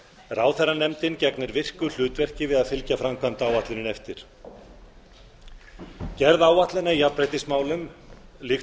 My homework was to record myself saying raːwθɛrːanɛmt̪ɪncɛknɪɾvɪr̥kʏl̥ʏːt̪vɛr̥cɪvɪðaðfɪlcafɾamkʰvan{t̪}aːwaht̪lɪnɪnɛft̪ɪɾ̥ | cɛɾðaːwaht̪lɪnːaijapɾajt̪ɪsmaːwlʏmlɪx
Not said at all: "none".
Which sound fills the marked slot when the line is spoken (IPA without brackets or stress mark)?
t̪